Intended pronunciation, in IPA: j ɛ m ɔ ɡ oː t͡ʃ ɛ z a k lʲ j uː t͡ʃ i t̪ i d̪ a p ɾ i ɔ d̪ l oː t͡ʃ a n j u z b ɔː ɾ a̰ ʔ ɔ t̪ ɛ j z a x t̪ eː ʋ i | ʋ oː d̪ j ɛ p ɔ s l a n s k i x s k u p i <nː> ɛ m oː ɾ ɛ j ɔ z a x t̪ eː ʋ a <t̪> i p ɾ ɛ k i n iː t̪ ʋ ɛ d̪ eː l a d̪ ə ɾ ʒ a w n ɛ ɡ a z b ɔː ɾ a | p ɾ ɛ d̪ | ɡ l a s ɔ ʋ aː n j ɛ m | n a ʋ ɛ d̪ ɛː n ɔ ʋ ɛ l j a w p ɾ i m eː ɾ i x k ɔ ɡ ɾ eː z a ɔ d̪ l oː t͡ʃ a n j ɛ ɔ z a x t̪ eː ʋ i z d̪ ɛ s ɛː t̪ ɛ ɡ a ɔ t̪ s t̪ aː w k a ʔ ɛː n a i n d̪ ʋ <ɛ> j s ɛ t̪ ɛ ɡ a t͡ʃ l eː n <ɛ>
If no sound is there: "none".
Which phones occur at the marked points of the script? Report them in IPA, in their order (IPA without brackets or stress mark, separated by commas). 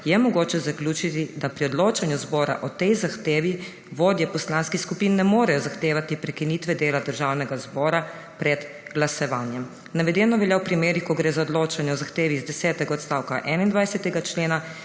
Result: nː, t̪, a, a